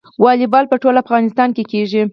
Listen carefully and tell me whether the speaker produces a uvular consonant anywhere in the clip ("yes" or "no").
no